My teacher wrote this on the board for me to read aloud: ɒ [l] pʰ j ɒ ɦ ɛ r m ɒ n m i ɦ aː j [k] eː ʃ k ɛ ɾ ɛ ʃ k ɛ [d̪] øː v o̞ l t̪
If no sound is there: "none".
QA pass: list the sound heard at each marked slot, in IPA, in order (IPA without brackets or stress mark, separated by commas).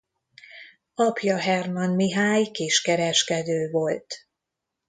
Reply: none, k, d̪